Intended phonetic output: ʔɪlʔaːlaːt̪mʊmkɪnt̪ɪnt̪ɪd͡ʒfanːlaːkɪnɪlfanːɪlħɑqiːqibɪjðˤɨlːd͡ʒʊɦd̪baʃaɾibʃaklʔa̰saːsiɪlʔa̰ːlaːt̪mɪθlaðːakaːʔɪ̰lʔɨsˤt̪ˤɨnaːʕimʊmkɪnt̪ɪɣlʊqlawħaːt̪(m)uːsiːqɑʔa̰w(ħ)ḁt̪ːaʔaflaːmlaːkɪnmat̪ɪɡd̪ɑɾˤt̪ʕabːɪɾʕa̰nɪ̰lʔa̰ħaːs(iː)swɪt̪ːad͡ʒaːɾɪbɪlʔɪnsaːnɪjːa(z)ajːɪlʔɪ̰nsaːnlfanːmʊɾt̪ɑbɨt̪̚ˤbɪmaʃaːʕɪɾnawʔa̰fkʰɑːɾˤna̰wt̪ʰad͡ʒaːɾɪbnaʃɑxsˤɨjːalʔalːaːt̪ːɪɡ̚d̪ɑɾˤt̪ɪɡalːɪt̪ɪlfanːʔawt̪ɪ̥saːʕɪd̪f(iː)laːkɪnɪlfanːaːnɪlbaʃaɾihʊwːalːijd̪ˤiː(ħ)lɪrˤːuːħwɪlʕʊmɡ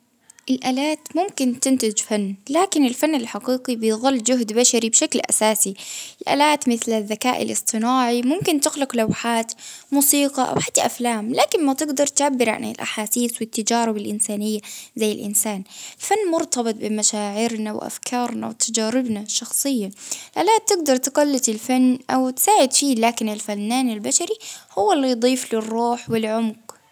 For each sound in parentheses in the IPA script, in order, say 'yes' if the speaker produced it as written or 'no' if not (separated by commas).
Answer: yes, yes, yes, yes, yes, no